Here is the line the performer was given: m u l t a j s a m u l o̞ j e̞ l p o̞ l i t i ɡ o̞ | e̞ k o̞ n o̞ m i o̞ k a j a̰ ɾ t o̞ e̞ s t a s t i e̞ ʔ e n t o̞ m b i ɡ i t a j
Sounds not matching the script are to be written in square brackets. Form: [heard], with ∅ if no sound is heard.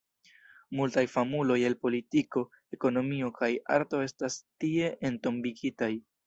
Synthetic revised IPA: m u l t a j [f] a m u l o̞ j e̞ l p o̞ l i t i [k] o̞ | e̞ k o̞ n o̞ m i o̞ k a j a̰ ɾ t o̞ e̞ s t a s t i e̞ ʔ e n t o̞ m b i ɡ i t a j